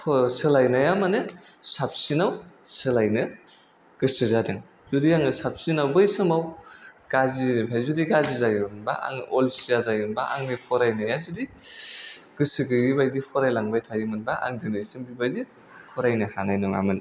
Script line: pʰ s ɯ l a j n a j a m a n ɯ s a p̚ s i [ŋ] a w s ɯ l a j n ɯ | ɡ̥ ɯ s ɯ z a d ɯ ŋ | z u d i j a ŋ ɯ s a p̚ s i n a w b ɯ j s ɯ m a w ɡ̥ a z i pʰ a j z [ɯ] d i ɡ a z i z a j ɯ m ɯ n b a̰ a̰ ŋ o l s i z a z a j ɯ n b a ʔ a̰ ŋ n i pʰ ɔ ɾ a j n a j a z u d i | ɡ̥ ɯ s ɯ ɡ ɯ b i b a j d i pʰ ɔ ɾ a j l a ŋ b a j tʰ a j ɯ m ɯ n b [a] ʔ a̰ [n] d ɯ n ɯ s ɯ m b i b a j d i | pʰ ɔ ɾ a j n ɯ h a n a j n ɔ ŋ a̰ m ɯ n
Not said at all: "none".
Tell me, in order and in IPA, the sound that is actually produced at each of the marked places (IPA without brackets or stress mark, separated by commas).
n, u, a, ŋ